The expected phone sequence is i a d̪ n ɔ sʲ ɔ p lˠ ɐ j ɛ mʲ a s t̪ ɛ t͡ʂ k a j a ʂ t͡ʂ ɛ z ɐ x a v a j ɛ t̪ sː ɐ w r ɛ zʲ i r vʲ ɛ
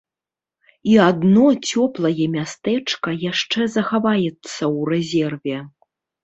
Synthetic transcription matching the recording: i a d̪ n ɔ t͡sʲ ɔ p lˠ ɐ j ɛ mʲ a s t̪ ɛ t͡ʂ k ɐ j a ʂ t͡ʂ ɛ z ɐ x a v a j ɛ t̪ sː ɐ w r ɛ zʲ ɛ r vʲ ɛ